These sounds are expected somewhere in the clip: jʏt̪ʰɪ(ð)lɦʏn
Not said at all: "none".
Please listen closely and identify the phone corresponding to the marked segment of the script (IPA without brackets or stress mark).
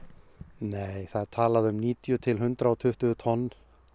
none